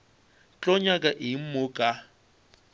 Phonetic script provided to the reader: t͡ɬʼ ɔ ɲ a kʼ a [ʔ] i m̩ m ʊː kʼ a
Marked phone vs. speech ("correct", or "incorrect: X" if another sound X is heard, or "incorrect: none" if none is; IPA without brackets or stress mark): correct